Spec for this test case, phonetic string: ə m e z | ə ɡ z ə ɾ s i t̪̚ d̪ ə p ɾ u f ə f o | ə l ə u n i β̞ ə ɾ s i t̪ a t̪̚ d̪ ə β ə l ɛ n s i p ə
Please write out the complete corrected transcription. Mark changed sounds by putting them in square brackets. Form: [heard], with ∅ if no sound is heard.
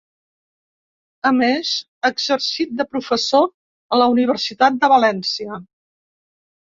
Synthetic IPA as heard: ə m e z | ə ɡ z ə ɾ s i t̪̚ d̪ ə p ɾ u f ə [s] o | ə l ə u n i β̞ ə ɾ s i t̪ a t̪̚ d̪ ə β ə l ɛ n s i [∅] ə